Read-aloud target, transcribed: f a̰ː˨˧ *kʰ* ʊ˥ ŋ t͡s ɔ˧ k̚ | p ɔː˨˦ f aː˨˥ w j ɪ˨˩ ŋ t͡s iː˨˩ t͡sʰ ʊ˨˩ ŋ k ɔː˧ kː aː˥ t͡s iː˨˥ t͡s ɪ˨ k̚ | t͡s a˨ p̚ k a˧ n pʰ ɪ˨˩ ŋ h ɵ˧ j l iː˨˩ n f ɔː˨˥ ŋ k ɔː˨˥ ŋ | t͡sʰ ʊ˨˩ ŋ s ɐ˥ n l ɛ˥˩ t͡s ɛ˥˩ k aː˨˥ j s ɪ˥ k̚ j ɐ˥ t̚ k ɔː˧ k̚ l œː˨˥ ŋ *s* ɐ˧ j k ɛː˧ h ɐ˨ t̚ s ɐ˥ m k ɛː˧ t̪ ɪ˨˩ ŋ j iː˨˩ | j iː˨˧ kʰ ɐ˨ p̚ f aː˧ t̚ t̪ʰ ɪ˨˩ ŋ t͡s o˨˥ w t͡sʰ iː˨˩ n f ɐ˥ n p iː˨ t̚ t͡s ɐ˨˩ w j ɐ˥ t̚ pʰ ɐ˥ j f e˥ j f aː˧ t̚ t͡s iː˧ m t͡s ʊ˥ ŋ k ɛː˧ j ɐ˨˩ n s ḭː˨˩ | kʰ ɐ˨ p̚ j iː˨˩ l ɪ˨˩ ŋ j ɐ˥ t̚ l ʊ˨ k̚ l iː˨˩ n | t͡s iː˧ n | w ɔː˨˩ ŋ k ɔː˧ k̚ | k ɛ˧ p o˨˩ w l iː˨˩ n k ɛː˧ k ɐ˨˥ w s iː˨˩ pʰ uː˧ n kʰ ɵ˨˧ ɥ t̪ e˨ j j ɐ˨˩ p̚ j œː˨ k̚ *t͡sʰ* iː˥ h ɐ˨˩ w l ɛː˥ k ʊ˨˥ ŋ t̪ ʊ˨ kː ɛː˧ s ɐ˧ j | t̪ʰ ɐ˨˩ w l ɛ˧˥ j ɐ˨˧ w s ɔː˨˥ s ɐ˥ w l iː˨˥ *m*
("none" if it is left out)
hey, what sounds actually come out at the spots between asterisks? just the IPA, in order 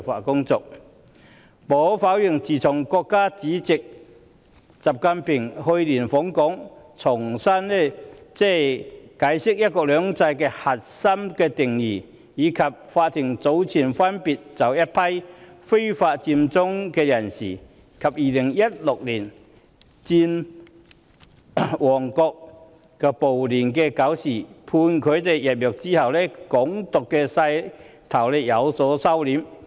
k, t͡s, t͡s, m

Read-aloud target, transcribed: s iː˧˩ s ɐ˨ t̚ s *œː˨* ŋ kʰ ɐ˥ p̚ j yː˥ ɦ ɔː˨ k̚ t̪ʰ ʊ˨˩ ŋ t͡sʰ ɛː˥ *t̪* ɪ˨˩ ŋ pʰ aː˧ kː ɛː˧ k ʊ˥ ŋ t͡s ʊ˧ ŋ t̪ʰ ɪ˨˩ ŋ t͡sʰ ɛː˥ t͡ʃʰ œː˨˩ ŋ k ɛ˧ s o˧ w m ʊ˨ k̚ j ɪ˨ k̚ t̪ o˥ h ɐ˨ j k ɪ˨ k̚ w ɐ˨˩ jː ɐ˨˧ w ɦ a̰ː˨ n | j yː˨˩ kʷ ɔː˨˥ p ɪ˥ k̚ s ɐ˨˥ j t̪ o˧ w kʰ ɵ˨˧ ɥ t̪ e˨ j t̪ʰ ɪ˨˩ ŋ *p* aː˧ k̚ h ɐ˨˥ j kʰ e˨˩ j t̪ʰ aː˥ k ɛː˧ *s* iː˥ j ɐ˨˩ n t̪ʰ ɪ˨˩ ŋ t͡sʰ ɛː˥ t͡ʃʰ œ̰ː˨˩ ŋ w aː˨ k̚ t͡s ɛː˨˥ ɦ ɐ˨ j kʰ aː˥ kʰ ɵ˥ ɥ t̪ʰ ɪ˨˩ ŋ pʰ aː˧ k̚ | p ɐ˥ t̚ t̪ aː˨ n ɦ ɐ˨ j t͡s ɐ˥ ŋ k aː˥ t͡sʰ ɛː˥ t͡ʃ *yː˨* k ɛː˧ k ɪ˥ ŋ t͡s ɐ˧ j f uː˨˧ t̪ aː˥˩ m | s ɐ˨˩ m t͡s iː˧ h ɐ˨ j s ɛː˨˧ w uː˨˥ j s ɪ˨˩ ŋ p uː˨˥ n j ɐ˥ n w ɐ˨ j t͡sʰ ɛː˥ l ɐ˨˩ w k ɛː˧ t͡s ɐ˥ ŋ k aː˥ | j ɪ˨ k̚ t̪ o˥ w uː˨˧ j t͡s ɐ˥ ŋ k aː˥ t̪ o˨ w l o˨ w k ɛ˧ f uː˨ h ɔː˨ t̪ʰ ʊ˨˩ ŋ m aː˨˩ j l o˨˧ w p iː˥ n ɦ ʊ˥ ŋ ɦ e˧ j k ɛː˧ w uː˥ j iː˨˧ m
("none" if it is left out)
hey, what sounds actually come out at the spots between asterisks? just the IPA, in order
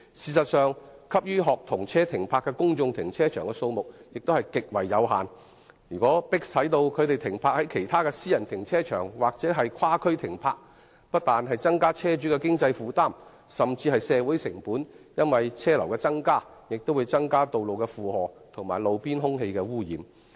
œː˨, t̪ʰ, pʰ, s, yː˨˥

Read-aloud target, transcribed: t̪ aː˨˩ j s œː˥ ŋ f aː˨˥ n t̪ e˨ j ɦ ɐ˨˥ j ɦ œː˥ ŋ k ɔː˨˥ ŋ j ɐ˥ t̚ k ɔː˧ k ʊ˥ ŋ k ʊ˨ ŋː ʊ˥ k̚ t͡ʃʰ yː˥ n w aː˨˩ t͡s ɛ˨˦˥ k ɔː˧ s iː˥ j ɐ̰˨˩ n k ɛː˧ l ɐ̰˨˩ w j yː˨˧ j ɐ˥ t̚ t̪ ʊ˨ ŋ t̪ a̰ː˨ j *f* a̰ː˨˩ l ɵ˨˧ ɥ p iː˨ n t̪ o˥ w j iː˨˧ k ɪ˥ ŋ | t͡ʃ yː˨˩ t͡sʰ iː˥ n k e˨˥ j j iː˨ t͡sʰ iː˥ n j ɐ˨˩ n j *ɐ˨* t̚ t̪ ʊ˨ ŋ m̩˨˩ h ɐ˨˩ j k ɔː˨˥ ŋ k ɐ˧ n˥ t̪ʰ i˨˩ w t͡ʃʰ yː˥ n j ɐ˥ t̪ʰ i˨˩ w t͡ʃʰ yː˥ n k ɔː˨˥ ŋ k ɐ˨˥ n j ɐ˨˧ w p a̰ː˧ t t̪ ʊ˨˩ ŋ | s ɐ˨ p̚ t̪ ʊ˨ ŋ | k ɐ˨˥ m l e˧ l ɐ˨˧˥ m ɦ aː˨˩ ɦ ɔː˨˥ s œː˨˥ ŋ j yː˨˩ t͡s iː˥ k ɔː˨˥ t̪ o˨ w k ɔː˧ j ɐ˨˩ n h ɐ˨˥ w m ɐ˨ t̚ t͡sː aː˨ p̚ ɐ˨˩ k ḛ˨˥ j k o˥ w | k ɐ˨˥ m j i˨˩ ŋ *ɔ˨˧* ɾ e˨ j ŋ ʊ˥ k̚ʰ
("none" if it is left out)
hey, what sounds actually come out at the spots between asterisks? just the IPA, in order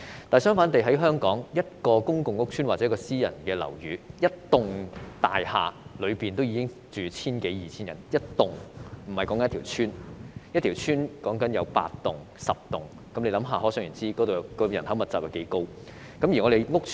h, ɐ˥, ɔ˨˧

